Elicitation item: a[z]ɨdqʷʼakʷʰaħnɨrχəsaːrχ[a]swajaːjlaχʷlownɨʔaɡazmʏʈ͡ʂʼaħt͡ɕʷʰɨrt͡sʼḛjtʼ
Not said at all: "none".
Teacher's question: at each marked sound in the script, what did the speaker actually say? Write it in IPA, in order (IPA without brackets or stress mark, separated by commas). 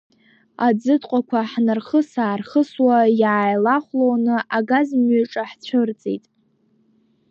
d͡z, ə